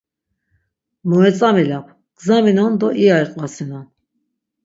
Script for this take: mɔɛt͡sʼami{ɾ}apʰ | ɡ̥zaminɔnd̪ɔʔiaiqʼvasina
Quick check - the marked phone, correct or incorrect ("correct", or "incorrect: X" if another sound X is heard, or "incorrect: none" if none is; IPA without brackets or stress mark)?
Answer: incorrect: l